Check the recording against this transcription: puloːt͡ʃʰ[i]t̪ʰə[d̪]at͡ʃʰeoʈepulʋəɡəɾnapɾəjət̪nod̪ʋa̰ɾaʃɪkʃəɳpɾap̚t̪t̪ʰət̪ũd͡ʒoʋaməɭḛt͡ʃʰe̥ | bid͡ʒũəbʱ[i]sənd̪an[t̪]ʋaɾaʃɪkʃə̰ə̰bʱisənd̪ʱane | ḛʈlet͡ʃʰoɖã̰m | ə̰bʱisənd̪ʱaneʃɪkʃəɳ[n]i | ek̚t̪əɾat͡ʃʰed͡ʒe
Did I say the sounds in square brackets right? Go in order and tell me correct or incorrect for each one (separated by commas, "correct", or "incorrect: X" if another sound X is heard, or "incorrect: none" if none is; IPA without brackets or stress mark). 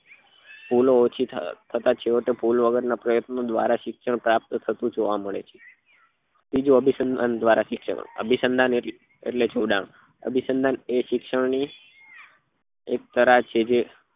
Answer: correct, incorrect: t̪, correct, incorrect: d̪, correct